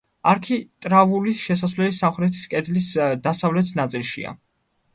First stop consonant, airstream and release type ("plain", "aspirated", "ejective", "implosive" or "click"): aspirated